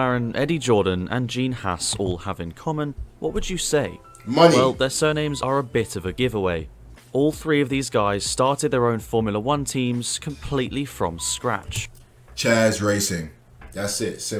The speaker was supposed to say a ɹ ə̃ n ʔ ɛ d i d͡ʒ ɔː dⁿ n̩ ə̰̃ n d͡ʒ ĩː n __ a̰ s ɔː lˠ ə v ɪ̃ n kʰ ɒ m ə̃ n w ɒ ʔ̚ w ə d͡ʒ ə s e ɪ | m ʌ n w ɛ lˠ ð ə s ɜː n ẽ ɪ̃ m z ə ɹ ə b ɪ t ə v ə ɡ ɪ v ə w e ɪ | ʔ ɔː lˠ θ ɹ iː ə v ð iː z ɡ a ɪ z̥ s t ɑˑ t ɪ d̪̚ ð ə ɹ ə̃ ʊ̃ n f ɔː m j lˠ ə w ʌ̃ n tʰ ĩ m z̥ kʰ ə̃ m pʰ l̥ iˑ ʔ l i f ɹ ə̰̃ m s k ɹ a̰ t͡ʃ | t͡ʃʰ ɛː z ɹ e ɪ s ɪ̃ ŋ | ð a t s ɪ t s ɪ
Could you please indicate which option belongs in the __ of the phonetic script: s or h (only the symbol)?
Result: h